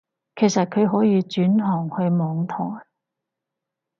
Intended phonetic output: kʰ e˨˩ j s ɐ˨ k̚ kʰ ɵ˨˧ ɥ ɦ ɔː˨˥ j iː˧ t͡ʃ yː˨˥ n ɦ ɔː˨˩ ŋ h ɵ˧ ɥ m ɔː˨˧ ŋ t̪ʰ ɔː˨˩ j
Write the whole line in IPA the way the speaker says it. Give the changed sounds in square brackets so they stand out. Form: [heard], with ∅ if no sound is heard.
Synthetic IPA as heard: kʰ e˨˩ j s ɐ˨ [t̚] kʰ ɵ˨˧ ɥ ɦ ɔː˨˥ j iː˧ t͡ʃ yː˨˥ n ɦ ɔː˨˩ ŋ h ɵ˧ ɥ m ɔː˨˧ ŋ t̪ʰ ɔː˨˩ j